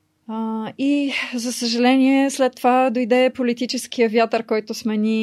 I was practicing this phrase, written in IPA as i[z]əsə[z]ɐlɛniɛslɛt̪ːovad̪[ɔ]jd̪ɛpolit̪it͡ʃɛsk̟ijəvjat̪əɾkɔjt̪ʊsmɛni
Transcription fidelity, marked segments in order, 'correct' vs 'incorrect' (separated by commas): correct, incorrect, incorrect